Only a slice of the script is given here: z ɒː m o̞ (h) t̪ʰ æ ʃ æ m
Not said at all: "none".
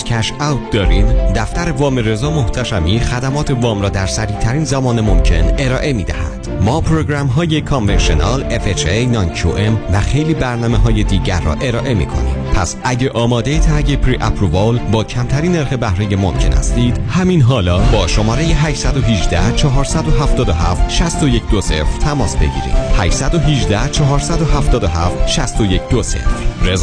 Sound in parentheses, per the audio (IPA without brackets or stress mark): h